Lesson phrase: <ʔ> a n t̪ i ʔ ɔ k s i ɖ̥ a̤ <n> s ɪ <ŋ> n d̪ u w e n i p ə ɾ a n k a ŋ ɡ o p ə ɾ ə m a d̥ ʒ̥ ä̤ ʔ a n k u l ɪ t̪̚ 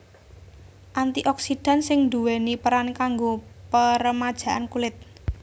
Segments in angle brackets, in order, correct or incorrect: correct, correct, correct

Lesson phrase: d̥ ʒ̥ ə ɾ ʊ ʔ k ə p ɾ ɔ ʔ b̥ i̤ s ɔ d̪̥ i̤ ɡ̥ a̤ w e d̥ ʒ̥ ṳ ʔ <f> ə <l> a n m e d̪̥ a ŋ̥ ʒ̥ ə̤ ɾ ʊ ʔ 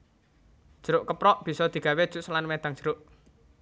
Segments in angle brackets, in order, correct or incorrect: incorrect: s, correct

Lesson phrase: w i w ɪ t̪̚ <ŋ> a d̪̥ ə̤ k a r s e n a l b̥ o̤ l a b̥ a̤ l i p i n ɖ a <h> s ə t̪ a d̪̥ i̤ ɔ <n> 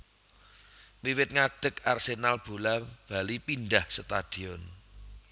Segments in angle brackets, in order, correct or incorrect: correct, correct, correct

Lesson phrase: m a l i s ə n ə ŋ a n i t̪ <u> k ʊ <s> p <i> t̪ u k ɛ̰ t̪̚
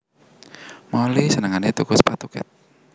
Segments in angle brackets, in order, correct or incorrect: correct, correct, incorrect: a

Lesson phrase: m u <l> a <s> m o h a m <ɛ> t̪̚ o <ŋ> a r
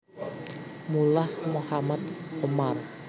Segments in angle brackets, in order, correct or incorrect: correct, incorrect: h, incorrect: a, incorrect: m

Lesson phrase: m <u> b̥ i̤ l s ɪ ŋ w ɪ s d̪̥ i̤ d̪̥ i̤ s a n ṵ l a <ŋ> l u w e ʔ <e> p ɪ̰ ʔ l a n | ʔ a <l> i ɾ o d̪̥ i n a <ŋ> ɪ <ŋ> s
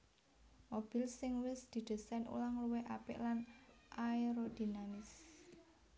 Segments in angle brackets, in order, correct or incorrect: incorrect: o, correct, incorrect: a, incorrect: none, incorrect: m, incorrect: none

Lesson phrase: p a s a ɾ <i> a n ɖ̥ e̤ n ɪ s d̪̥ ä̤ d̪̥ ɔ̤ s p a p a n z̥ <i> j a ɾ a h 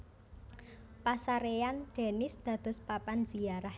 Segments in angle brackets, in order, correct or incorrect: incorrect: e, correct

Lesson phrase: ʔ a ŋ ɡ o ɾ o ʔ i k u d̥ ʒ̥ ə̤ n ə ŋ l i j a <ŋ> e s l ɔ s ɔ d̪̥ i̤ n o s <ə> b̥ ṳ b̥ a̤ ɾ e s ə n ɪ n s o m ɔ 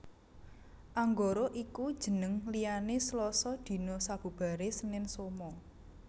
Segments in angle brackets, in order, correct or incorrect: incorrect: n, incorrect: a

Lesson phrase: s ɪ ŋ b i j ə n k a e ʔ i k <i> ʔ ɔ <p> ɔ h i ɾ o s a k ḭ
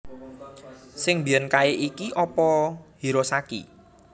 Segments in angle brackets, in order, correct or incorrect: correct, correct

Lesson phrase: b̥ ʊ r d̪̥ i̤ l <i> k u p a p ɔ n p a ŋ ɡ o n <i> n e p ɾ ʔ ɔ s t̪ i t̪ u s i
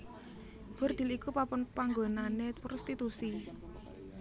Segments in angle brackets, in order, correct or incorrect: correct, incorrect: a

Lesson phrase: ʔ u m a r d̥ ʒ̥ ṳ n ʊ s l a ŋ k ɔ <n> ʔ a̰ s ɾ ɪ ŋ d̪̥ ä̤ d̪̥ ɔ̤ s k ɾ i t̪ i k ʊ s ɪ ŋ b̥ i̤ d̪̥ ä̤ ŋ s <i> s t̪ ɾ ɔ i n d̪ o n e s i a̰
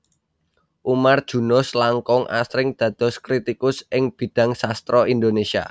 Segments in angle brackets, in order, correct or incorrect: incorrect: ŋ, incorrect: a

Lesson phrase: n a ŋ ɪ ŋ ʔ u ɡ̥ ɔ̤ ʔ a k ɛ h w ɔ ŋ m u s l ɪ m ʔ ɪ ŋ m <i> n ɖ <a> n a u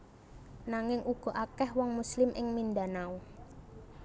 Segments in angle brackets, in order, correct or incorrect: correct, correct

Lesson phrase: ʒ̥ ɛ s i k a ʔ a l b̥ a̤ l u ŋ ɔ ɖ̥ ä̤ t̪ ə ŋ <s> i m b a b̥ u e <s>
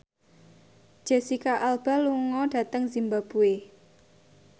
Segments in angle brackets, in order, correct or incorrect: incorrect: z, incorrect: none

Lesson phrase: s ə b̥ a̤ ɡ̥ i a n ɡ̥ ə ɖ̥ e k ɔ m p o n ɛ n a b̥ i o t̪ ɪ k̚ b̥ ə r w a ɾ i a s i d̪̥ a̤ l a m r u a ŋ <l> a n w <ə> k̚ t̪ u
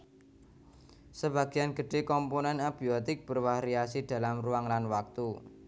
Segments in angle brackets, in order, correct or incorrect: correct, incorrect: a

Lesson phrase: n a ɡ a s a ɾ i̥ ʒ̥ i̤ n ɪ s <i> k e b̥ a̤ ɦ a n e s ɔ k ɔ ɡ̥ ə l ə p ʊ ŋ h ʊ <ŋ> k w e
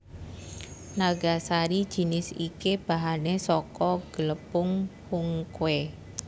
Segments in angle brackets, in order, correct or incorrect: correct, correct

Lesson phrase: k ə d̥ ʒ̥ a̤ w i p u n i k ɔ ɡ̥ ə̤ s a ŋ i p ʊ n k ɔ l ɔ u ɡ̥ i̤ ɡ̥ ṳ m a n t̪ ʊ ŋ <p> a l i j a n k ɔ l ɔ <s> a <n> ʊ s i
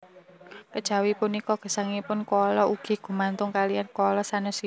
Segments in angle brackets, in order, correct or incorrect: incorrect: k, correct, correct

